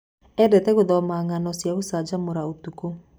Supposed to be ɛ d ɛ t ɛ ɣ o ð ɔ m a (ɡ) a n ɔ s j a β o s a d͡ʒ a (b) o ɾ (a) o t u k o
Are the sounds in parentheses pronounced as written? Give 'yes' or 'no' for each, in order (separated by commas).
no, no, yes